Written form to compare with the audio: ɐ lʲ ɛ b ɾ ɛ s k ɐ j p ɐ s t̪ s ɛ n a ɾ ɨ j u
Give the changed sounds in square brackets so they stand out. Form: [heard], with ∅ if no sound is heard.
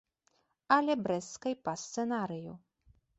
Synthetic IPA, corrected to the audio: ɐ lʲ ɛ b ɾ ɛ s k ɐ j p ɐ s t̪ s ɛ n a ɾ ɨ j u